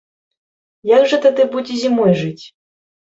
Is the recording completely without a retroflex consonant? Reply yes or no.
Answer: no